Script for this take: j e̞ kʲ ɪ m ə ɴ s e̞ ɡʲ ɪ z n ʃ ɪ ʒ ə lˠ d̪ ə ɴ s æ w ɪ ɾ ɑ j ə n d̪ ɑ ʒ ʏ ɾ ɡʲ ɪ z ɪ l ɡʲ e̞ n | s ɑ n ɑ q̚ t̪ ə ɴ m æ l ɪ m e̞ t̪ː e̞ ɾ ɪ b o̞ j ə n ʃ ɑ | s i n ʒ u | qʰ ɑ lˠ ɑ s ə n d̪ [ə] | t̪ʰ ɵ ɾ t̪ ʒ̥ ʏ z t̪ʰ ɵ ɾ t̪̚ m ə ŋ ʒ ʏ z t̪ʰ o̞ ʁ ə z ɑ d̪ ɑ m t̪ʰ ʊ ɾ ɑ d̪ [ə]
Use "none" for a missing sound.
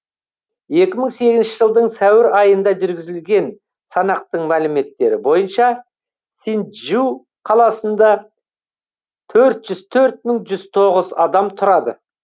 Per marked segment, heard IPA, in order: ɑ, ə

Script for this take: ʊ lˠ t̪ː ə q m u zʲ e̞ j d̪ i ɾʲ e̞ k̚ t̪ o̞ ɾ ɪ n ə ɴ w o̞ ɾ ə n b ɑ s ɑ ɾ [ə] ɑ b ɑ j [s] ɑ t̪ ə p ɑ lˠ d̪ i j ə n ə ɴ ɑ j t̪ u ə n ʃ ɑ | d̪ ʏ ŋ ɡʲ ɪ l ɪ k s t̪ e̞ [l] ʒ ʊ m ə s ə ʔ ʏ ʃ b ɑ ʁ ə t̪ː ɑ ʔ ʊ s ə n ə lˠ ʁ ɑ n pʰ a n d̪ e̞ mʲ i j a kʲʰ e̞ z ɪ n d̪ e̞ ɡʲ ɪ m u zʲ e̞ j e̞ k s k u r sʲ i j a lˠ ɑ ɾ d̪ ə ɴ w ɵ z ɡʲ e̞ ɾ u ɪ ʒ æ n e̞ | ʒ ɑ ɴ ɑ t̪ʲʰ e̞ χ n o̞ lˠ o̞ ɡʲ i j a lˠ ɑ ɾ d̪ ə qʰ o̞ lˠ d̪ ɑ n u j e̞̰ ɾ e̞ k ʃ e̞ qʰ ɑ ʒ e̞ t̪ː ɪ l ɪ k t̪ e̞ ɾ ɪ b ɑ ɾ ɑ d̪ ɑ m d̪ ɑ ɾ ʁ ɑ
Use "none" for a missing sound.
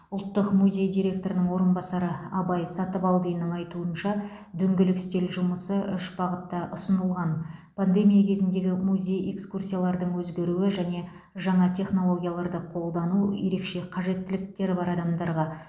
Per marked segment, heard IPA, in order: ə, s, l

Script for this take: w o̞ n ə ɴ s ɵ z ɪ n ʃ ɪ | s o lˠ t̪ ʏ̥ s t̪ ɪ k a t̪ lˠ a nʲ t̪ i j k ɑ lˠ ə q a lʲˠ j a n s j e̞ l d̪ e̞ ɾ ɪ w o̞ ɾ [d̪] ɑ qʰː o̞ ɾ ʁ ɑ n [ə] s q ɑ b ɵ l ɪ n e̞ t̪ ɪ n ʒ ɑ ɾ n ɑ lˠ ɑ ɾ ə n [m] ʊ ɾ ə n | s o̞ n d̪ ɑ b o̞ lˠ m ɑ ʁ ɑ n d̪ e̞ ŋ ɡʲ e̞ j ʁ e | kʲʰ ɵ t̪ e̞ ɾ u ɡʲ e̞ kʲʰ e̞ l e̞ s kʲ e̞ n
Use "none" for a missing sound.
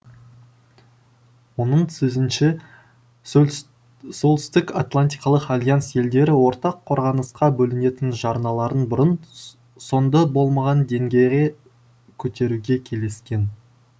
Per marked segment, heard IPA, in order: t̪, ə, b

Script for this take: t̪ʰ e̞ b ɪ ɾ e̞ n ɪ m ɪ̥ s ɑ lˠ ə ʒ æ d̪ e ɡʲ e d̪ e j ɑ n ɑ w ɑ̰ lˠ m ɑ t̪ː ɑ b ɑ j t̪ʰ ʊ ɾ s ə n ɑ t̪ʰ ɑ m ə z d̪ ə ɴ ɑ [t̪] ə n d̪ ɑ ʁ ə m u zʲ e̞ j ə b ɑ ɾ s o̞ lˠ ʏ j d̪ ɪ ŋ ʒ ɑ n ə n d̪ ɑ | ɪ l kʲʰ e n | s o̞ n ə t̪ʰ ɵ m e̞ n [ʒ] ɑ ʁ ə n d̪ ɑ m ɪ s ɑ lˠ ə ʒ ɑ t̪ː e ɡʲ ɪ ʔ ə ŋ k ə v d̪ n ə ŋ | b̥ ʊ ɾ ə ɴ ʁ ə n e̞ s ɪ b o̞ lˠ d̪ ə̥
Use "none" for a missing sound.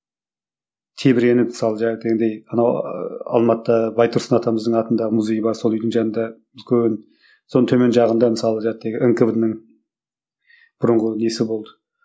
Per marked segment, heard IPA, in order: t̪, ʒ

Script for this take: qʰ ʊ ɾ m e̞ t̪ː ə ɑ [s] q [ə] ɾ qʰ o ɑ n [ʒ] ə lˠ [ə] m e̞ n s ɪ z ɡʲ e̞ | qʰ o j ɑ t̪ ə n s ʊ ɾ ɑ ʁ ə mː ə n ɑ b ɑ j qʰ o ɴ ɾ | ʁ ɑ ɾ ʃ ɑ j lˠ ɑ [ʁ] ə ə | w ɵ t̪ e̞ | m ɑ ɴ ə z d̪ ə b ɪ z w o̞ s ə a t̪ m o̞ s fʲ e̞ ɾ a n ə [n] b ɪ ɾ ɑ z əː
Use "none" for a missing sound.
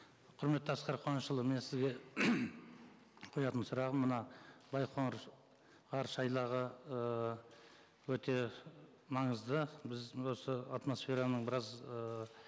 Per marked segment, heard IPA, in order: s, ɑ, ʃ, ə, ʁ, ɴ

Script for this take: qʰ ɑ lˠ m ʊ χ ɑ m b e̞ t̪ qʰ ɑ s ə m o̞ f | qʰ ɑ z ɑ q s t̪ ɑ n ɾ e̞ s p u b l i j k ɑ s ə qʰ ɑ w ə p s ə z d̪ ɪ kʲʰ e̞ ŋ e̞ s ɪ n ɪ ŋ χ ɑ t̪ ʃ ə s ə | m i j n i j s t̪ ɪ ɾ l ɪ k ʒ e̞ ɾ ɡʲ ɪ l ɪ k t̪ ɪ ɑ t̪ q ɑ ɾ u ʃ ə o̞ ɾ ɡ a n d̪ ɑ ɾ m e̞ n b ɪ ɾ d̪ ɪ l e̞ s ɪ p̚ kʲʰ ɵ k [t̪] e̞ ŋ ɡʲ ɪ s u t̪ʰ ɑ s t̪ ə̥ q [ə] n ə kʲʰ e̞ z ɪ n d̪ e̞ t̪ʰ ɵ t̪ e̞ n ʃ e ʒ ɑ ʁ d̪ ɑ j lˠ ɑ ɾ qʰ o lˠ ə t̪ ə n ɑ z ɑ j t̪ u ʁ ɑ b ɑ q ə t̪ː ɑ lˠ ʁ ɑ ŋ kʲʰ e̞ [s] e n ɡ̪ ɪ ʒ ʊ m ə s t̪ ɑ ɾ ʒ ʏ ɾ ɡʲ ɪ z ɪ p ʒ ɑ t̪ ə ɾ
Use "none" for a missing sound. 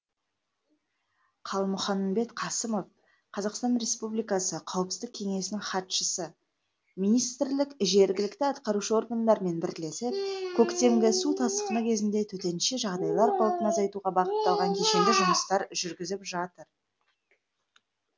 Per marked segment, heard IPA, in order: t̪, ə, ʃ

